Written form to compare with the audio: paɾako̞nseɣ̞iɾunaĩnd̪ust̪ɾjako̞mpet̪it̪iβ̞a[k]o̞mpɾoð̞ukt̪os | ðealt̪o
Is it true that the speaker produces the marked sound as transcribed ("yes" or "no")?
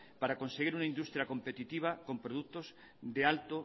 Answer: yes